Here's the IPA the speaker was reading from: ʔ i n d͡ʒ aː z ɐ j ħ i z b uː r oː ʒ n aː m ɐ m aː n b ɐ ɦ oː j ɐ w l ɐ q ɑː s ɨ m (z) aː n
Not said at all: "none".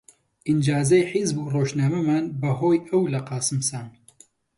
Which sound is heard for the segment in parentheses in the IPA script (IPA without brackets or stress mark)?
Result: s